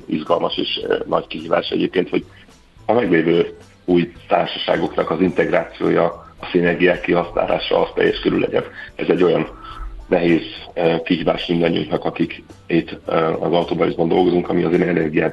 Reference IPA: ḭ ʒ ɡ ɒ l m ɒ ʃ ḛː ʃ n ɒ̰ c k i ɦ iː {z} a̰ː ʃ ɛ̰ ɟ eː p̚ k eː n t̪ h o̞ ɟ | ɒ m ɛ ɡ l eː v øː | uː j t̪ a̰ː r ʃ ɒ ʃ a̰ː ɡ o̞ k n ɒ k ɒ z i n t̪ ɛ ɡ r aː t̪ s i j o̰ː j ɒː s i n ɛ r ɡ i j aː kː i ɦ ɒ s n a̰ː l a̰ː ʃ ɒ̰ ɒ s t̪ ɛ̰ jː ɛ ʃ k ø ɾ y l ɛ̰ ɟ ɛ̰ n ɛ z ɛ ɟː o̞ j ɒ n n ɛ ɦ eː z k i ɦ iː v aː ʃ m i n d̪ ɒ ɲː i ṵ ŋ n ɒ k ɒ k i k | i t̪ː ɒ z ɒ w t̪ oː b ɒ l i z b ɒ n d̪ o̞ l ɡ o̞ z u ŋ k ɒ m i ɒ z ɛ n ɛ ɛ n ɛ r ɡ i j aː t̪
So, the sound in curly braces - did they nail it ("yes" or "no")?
no